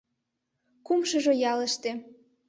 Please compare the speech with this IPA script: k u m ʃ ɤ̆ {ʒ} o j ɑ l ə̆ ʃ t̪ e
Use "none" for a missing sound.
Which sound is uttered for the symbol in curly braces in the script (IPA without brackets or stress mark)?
ʒ